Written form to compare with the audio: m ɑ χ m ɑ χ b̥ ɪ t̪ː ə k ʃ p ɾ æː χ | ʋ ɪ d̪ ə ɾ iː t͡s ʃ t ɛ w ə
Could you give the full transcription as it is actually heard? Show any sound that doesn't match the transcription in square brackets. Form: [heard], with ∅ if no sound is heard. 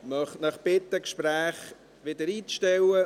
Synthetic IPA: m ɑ χ [n] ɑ χ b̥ ɪ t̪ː ə k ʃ p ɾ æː χ | ʋ ɪ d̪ ə ɾ iː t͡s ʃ t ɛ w ə